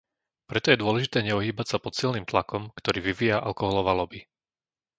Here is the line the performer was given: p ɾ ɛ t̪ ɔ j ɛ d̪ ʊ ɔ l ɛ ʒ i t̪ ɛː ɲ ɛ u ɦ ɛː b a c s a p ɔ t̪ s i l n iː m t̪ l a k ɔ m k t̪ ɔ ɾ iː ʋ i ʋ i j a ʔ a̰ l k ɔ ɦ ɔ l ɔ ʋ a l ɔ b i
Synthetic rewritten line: p ɾ ɛ t̪ ɔ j ɛ d̪ ʊ ɔ l ɛ ʒ i t̪ ɛː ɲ ɛ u ɦ iː b a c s a p ɔ t̪ s i l n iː m t̪ l a k ɔ m k t̪ ɔ ɾ iː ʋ i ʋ i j a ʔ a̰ l k ɔ ɦ ɔ l ɔ ʋ a l ɔ b i